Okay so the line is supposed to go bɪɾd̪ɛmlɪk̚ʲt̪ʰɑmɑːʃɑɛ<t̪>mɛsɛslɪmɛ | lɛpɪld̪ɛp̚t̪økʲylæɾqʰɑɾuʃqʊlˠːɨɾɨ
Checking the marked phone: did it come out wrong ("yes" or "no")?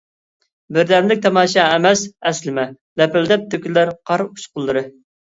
yes